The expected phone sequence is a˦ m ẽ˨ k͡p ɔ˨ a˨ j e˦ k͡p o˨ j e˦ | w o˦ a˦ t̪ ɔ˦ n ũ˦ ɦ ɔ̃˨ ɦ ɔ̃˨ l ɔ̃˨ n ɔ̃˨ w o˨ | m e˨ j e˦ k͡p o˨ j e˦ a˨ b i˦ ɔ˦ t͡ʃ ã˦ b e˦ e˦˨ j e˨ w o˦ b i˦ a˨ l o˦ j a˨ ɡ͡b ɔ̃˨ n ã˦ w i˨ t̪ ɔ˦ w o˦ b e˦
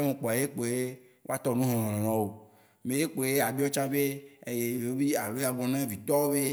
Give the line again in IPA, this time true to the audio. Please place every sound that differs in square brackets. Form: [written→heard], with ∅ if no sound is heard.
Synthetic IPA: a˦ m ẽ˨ k͡p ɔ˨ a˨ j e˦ k͡p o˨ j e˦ | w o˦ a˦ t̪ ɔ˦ n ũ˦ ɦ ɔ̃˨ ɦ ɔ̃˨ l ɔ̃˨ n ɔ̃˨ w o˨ | m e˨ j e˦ k͡p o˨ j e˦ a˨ b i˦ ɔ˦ t͡ʃ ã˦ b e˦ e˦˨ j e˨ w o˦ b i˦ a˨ l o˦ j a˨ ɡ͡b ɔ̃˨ n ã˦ [w→v] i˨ t̪ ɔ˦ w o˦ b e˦